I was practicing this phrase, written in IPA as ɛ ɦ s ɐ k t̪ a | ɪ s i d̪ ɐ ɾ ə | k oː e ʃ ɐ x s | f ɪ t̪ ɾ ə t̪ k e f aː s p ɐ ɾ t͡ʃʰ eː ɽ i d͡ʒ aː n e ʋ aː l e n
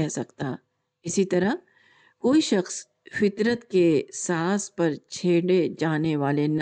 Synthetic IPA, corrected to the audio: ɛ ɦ s ɐ k t̪ a | ɪ s i t̪ ɐ ɾ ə | k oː i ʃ ɐ x s | f ɪ t̪ ɾ ə t̪ k e s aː s p ɐ ɾ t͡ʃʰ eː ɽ e d͡ʒ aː n e ʋ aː l e n